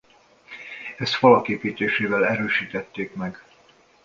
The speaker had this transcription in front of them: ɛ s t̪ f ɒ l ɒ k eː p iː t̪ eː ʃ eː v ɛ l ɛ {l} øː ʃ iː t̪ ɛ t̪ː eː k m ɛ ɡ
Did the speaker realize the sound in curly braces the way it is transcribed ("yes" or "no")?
no